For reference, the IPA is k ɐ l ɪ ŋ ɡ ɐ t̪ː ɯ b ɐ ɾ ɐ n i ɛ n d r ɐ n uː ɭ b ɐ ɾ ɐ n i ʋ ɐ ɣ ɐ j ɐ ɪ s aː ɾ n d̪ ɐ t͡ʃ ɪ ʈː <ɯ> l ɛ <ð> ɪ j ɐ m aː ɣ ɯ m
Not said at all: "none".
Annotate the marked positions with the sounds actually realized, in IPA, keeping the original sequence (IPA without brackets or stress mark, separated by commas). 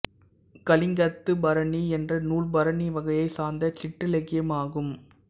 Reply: ɯ, ɣ